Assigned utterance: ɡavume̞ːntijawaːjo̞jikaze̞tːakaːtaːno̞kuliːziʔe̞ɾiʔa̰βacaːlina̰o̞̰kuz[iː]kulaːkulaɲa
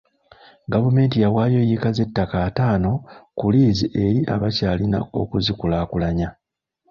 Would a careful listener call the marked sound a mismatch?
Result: yes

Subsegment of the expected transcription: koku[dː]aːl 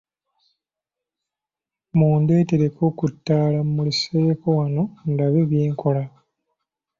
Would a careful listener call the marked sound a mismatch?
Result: yes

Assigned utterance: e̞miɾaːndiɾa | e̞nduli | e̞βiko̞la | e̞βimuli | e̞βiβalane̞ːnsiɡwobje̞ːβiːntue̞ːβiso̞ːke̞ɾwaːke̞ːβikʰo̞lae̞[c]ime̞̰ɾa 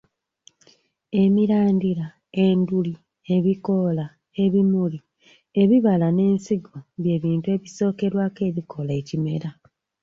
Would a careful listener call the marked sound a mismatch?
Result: no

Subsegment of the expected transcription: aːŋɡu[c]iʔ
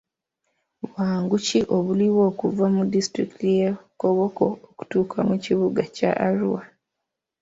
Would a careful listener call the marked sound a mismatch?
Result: no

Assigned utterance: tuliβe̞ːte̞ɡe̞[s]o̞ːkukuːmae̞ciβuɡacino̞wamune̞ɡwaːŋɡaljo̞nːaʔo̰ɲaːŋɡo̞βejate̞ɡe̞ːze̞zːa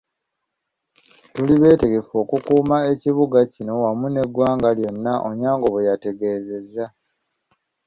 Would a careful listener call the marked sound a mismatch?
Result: yes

